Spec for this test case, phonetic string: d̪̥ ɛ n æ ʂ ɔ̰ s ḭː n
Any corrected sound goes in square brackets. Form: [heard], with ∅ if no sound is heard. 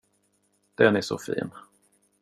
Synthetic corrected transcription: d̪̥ ɛ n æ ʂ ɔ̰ [f] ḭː n